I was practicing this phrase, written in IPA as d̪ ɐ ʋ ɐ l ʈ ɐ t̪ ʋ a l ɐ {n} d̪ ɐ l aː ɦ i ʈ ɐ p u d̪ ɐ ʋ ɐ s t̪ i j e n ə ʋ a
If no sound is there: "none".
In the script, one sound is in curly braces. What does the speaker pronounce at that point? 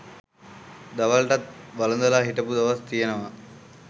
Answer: n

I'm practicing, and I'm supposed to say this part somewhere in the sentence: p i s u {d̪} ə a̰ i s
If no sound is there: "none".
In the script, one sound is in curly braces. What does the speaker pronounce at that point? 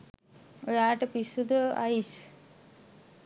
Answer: d̪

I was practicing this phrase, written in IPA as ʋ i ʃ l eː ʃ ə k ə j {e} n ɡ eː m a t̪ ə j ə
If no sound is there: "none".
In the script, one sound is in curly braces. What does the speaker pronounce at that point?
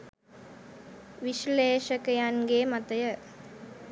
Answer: a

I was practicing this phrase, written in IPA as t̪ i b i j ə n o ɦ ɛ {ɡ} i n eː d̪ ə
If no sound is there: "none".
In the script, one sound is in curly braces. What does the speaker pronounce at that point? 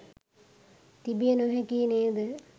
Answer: k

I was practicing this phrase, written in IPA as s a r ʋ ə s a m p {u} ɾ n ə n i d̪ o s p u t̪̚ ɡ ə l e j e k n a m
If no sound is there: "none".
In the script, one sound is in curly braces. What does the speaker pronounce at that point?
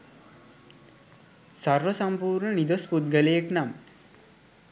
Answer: uː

